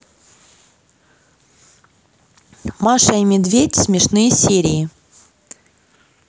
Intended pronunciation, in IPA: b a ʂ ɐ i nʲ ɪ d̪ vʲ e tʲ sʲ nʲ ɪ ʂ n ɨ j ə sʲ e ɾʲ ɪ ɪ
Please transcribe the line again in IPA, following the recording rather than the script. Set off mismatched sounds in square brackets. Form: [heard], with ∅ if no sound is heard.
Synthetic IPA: [m] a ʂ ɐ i [mʲ] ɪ d̪ vʲ e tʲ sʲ [mʲ] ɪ ʂ n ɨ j ə sʲ e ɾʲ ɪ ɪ